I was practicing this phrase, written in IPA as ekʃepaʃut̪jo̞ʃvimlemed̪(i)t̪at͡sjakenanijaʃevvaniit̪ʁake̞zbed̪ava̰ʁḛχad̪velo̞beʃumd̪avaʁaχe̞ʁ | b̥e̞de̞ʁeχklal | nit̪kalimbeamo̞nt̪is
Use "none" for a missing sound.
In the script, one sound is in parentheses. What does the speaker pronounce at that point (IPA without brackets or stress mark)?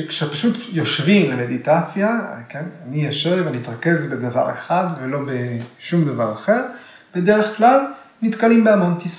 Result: i